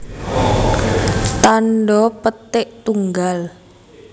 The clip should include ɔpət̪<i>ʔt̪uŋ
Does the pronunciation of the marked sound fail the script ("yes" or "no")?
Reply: yes